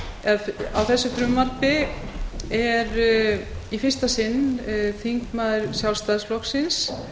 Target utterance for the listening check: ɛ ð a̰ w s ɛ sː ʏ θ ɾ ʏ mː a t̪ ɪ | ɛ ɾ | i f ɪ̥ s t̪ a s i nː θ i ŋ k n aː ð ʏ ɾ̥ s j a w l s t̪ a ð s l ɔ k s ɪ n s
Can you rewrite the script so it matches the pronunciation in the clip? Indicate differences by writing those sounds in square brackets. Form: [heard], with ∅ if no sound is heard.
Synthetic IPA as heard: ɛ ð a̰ w [θ] ɛ sː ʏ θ ɾ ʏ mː a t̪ ɪ | ɛ ɾ | i f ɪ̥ s t̪ a s [ɪ] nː θ i ŋ k [m] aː ð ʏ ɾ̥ s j a w l s t̪ a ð s l ɔ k s ɪ n s